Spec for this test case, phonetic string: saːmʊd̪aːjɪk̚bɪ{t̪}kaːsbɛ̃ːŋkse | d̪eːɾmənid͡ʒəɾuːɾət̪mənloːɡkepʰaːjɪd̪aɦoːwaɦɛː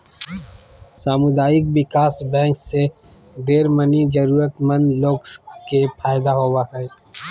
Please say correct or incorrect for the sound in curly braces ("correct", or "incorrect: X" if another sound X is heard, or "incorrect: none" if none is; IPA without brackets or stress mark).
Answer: incorrect: none